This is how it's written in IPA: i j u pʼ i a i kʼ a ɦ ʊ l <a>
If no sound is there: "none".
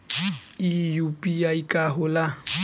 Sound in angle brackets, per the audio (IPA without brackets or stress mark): a